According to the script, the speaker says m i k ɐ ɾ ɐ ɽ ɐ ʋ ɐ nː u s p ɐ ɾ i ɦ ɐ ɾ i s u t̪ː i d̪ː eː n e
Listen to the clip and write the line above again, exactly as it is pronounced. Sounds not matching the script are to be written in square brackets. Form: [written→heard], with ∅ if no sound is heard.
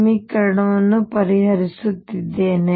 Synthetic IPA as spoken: m i k ɐ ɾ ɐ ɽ ɐ ʋ ɐ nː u [s→∅] p ɐ ɾ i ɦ ɐ ɾ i s u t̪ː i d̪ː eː n e

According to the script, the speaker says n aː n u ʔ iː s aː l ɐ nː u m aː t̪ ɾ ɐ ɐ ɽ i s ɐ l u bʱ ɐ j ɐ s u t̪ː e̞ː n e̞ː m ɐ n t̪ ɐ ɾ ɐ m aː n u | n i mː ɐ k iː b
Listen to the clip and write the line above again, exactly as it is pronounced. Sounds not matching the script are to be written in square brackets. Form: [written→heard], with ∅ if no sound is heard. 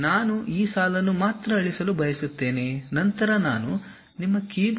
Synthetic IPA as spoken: n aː n u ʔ iː s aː l ɐ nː u m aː t̪ ɾ ɐ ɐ [ɽ→ɭ] i s ɐ l u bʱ ɐ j ɐ s u t̪ː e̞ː n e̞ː [m→n] ɐ n t̪ ɐ ɾ ɐ [m→n] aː n u | n i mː ɐ k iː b

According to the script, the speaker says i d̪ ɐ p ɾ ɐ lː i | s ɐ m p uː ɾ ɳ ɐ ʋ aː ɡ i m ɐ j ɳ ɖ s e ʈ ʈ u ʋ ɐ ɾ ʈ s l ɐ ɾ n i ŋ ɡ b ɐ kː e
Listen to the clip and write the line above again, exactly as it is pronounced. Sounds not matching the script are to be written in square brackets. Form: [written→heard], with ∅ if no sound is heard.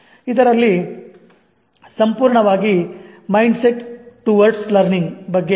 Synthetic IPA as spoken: i d̪ ɐ [p→∅] ɾ ɐ lː i | s ɐ m p uː ɾ ɳ ɐ ʋ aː ɡ i m ɐ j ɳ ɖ s e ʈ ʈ u ʋ ɐ ɾ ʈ s l ɐ ɾ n i ŋ ɡ b ɐ [kː→ɡː] e

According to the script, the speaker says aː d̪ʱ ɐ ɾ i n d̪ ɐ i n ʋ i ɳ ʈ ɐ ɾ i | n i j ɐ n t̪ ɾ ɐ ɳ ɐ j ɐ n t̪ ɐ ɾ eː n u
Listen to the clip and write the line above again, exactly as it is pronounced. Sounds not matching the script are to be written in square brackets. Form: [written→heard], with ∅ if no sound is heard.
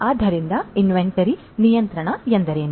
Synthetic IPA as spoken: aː d̪ʱ ɐ ɾ i n d̪ ɐ i n ʋ [i→e] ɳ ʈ ɐ ɾ i | n i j ɐ n t̪ ɾ ɐ ɳ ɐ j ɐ n [t̪→d̪] ɐ ɾ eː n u

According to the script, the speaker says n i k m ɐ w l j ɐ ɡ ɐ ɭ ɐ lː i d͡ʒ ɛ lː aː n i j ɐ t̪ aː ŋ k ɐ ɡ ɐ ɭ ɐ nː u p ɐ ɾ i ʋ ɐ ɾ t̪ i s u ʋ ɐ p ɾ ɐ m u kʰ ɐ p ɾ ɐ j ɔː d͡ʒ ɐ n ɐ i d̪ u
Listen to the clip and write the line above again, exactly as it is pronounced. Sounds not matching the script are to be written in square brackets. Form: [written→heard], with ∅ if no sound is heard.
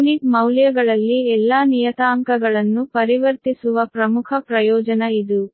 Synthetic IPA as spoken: n i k m ɐ w l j ɐ ɡ ɐ ɭ ɐ lː i [d͡ʒ→∅] ɛ lː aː n i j ɐ t̪ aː ŋ k ɐ ɡ ɐ ɭ ɐ nː u p ɐ ɾ i ʋ ɐ ɾ t̪ i s u ʋ ɐ p ɾ ɐ m u kʰ ɐ p ɾ ɐ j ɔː d͡ʒ ɐ n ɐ i d̪ u

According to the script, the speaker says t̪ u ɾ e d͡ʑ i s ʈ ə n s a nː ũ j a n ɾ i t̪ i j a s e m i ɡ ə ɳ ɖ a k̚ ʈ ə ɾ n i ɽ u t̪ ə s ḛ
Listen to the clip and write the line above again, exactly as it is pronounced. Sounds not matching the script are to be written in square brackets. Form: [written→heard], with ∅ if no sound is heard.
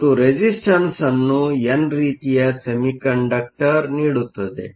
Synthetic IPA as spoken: t̪ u ɾ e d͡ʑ i s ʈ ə n s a nː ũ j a n ɾ i t̪ i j a s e m i [ɡ→k] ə ɳ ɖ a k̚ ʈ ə ɾ n i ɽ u t̪ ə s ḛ

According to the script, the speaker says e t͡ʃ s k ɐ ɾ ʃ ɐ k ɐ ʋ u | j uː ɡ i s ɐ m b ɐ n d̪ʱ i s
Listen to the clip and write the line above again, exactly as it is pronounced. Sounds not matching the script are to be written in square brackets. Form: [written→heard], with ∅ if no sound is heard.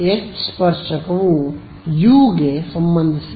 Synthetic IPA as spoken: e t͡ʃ s [k→p] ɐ ɾ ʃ ɐ k ɐ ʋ u | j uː ɡ [i→e] s ɐ m b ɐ n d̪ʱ i s

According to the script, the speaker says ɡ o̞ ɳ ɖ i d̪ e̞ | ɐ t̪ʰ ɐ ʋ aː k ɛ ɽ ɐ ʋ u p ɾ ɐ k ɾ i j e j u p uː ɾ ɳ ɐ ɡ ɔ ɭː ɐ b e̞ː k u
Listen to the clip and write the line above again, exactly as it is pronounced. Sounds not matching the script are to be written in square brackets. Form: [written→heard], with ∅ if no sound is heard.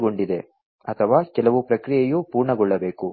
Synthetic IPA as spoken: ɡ o̞ ɳ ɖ i d̪ e̞ | ɐ t̪ʰ ɐ ʋ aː k ɛ [ɽ→l] ɐ ʋ u p ɾ ɐ k ɾ i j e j u p uː ɾ ɳ ɐ ɡ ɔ ɭː ɐ b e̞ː k u

